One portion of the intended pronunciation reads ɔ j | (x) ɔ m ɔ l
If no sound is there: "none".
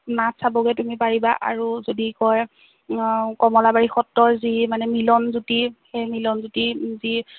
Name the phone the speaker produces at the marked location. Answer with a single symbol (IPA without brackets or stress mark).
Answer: k